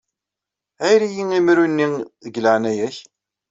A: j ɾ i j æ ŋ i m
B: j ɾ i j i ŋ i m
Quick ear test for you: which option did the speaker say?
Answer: B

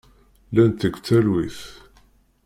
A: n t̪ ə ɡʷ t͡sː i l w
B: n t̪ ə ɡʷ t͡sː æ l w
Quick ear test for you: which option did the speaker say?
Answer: B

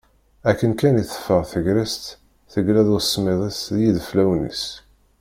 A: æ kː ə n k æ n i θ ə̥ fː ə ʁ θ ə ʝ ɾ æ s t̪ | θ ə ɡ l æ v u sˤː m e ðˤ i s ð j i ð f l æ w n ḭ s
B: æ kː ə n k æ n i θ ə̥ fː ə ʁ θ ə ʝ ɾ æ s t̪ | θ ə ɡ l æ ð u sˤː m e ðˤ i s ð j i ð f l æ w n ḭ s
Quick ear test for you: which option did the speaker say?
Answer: B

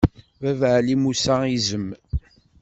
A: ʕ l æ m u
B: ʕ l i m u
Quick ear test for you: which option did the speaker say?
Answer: B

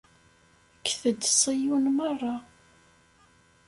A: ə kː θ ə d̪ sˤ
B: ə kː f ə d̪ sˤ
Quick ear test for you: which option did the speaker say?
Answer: A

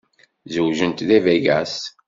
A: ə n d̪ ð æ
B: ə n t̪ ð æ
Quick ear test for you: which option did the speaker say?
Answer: B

